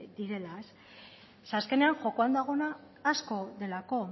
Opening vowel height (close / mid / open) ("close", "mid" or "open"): close